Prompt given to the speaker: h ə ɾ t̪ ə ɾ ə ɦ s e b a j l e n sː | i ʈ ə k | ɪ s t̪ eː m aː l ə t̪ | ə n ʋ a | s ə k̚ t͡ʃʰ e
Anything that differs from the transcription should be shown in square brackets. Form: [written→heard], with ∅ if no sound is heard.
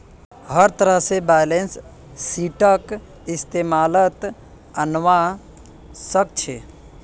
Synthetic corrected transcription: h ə ɾ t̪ ə ɾ ə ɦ s e b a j l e n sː | i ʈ ə k | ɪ s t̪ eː m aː l ə t̪ | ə n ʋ a | s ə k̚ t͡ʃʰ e

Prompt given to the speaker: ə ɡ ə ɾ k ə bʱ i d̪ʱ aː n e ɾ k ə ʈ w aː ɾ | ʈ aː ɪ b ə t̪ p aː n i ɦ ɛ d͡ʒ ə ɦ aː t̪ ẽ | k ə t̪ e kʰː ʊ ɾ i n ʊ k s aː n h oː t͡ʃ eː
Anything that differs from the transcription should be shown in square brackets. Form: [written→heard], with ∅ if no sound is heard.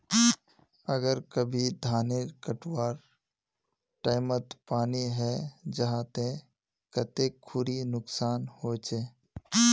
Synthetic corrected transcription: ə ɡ ə ɾ k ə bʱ i d̪ʱ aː n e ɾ k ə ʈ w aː ɾ | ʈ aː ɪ [b→m] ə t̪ p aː n i ɦ ɛ d͡ʒ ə ɦ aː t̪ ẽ | k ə t̪ e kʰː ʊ ɾ i n ʊ k s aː n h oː t͡ʃ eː

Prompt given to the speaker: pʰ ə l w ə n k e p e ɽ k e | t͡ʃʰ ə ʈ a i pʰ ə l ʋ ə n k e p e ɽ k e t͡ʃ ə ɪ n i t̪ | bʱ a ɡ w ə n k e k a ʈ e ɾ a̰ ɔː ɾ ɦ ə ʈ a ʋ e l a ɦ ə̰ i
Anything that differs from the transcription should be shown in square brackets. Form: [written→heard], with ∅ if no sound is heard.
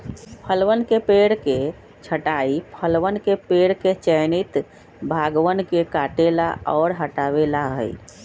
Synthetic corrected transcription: pʰ ə l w ə n k e p e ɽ k e | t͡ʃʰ ə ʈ a i pʰ ə l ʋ ə n k e p e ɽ k e t͡ʃ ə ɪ n i t̪ | bʱ a ɡ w ə n k e k a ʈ e [ɾ→l] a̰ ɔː ɾ ɦ ə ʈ a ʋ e l a ɦ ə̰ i

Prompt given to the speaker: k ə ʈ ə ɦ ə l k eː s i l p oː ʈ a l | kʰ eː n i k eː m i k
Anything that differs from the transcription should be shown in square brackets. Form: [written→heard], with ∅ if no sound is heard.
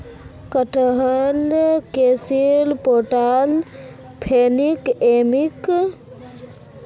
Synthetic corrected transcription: k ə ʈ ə ɦ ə l k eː s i l p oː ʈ a l | [kʰ→pʰ] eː n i k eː m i k

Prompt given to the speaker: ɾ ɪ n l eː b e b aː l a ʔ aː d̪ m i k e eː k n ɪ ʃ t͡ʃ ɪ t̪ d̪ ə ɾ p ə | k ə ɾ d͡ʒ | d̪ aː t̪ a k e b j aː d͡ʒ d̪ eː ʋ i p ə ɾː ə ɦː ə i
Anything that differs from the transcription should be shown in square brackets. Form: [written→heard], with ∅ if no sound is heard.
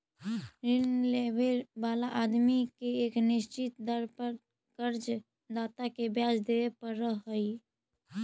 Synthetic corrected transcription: ɾ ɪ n l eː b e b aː l a ʔ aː d̪ m i k e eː k n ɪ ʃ t͡ʃ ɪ t̪ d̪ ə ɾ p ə | k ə ɾ d͡ʒ | d̪ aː t̪ a k e b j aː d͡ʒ d̪ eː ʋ [i→e] p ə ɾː ə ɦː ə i

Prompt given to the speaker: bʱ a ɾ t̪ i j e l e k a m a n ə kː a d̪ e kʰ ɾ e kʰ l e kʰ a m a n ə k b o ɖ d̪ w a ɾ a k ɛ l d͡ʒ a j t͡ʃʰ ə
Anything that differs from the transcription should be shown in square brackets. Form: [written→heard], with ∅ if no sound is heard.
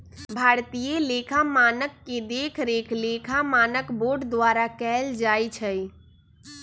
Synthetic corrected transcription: bʱ a ɾ t̪ i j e l e [k→kʰ] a m a n ə kː [a→e] d̪ e kʰ ɾ e kʰ l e kʰ a m a n ə k b o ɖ d̪ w a ɾ a k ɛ l d͡ʒ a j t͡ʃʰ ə

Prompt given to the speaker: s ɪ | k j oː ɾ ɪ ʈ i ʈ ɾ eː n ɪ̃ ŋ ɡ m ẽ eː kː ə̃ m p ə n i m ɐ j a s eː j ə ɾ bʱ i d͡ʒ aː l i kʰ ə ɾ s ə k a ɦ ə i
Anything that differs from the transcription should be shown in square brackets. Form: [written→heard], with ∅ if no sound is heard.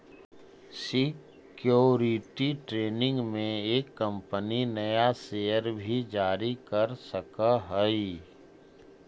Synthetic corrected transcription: s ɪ | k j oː ɾ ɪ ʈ i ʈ ɾ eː n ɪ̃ ŋ ɡ m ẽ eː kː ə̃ m p ə n i [m→n] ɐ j a s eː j ə ɾ bʱ i d͡ʒ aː [l→ɾ] i [kʰ→k] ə ɾ s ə k a ɦ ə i

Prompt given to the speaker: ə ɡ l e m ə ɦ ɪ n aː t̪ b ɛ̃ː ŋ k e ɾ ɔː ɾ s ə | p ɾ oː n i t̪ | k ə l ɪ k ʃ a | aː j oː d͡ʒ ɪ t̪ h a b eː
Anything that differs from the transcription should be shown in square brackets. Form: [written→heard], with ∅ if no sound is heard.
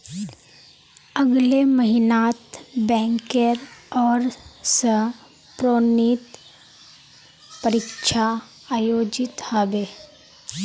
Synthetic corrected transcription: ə ɡ l e m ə ɦ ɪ n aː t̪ b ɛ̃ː ŋ k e ɾ ɔː ɾ s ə | p ɾ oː n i t̪ | [k→p] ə [l→ɾ] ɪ k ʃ a | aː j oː d͡ʒ ɪ t̪ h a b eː

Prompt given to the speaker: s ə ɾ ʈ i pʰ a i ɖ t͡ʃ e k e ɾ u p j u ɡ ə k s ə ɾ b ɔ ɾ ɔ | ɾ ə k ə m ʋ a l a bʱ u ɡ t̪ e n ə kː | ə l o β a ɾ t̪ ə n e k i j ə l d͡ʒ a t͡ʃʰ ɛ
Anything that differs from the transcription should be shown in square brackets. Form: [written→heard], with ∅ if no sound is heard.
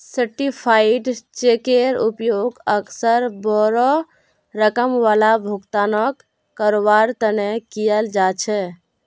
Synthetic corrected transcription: s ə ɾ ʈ i pʰ a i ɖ t͡ʃ e k e ɾ u p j [u→o] ɡ ə k s ə ɾ b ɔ ɾ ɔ | ɾ ə k ə m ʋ a l a bʱ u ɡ t̪ [e→a] n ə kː | ə [l→ɾ] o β a ɾ t̪ ə n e k i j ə l d͡ʒ a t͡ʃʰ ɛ

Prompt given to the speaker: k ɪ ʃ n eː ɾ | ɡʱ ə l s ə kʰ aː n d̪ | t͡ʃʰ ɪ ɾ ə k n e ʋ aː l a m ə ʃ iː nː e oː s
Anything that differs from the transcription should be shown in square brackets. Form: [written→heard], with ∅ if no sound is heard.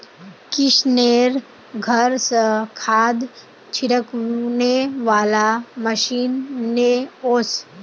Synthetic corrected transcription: k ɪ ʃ n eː ɾ | ɡʱ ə [l→ɾ] s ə kʰ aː [n→∅] d̪ | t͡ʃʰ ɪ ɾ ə k n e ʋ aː l a m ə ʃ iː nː e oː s

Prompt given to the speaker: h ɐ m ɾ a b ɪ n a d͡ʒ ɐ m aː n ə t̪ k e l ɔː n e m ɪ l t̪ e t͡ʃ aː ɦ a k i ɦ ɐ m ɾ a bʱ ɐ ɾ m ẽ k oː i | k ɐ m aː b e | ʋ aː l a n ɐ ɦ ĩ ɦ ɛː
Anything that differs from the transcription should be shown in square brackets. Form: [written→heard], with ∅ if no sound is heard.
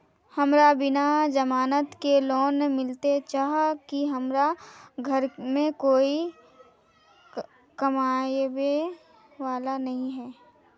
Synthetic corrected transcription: h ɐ m ɾ a b ɪ n a d͡ʒ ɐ m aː n ə t̪ k e l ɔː n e m ɪ l t̪ e t͡ʃ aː ɦ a k i ɦ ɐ m ɾ a [bʱ→ɡʱ] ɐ ɾ m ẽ k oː i | k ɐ m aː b e | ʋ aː l a n ɐ ɦ ĩ ɦ ɛː

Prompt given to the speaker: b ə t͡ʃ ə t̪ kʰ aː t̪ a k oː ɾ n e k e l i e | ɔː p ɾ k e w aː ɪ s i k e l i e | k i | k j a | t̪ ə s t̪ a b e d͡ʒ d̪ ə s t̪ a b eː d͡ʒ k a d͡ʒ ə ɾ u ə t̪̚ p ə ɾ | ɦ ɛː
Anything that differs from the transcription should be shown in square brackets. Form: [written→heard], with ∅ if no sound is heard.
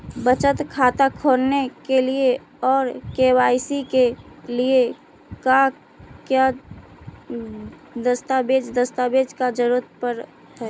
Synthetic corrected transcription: b ə t͡ʃ ə t̪ kʰ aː t̪ a [k→kʰ] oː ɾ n e k e l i e | ɔː [p→∅] ɾ k e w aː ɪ s i k e l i e | k [i→a] | k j a | [t̪→d̪] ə s t̪ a b e d͡ʒ d̪ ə s t̪ a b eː d͡ʒ k a d͡ʒ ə ɾ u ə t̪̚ p ə ɾ | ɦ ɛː

